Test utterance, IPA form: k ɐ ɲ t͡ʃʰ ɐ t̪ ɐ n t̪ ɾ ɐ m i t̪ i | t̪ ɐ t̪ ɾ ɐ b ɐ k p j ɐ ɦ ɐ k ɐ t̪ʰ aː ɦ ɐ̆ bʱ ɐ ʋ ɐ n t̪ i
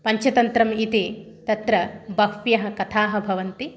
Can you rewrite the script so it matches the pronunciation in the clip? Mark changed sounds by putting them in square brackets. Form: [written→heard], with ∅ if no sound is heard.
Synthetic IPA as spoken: [k→p] ɐ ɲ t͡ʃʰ ɐ t̪ ɐ n t̪ ɾ ɐ m i t̪ i | t̪ ɐ t̪ ɾ ɐ b ɐ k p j ɐ ɦ ɐ k ɐ t̪ʰ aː ɦ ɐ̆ bʱ ɐ ʋ ɐ n t̪ i